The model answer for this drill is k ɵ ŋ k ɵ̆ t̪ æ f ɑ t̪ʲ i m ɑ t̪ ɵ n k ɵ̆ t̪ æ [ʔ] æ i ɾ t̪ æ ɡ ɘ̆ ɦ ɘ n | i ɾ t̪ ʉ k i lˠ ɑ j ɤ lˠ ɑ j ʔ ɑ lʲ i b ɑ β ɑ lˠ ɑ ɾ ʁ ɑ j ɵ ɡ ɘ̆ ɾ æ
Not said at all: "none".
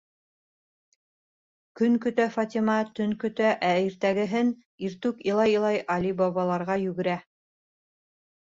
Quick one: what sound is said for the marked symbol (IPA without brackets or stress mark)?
ʔ